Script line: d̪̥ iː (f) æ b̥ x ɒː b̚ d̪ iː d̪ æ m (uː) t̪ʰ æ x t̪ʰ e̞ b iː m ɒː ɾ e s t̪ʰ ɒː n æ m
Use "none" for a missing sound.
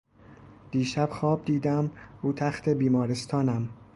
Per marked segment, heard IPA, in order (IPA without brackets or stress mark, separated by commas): ʃ, uː